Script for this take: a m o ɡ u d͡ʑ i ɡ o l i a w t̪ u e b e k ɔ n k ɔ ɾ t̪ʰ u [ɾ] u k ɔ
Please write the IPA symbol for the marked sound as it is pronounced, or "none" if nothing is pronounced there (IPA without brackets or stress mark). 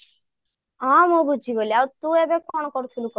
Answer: l